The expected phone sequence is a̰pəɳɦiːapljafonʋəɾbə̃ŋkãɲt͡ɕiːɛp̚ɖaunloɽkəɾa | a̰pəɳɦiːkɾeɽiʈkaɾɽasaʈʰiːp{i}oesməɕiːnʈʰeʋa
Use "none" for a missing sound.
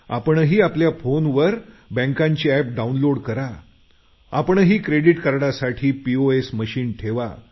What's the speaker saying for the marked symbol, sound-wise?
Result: i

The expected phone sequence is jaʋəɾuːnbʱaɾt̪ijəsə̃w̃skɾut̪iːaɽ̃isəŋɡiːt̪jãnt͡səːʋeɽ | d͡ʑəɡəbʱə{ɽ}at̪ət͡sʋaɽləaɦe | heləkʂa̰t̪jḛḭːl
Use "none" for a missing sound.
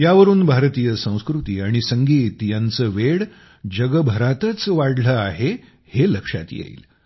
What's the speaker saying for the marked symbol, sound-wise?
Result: ɾ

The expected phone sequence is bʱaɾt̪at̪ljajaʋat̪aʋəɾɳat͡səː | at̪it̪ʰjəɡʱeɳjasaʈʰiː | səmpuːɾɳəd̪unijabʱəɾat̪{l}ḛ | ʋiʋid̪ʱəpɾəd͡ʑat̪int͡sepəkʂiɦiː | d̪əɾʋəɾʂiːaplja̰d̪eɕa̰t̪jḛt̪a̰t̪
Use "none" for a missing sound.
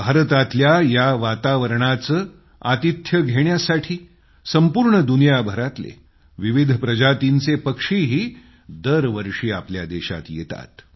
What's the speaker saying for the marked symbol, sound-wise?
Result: l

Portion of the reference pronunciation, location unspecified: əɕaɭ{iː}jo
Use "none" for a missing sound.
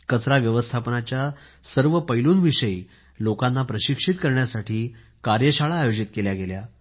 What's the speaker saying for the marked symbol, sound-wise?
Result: aː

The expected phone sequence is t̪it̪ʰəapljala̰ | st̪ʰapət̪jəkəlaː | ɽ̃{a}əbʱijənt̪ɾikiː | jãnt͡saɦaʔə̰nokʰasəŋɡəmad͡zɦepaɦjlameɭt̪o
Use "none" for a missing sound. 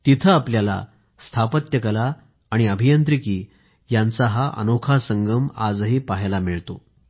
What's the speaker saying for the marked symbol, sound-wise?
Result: i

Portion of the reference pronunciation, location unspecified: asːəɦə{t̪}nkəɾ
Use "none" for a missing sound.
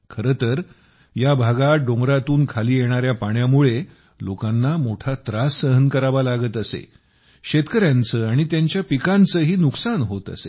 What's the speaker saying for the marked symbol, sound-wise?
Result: none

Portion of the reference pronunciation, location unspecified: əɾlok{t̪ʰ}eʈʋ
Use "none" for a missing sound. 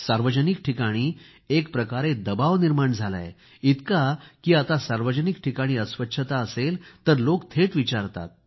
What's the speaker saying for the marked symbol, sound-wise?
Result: t̪ʰ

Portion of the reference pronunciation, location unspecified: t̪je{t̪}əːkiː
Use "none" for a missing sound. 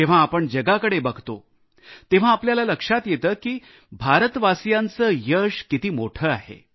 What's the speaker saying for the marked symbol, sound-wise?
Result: t̪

